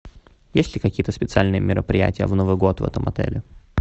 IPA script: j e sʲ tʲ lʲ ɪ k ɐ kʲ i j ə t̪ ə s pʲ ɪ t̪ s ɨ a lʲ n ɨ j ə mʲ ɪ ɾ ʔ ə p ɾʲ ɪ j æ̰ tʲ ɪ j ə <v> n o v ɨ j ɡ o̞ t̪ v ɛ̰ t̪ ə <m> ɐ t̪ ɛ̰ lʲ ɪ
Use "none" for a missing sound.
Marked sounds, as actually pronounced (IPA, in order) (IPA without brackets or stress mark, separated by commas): v, m